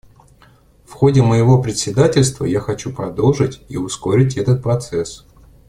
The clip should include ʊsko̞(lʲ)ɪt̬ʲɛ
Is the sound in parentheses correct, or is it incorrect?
incorrect